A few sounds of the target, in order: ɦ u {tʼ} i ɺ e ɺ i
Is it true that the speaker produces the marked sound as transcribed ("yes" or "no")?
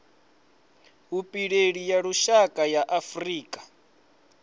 no